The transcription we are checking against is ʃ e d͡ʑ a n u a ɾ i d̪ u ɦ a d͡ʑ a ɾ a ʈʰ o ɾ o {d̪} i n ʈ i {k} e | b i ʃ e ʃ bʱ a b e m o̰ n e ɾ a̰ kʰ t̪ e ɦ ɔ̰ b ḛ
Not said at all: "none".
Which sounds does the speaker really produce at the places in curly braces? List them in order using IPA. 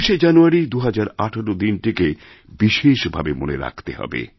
d̪, k

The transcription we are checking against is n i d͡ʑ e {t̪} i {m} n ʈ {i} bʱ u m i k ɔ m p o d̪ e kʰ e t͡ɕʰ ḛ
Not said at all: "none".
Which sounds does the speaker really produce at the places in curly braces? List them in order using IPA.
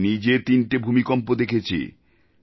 t̪, none, e

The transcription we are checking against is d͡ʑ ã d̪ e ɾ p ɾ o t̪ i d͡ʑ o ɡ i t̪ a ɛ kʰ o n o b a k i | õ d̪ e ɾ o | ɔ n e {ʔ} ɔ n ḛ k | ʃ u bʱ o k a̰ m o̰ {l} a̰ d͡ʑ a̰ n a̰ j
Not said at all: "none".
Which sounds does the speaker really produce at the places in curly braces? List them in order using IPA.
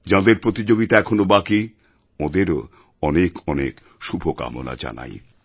k, l

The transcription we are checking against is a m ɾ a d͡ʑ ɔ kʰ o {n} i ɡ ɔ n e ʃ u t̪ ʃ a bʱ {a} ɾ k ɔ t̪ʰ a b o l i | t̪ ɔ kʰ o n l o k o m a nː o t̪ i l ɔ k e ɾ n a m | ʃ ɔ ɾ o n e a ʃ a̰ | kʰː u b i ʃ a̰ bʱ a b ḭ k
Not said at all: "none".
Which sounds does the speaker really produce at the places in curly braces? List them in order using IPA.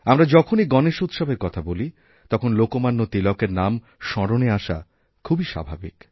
n, e

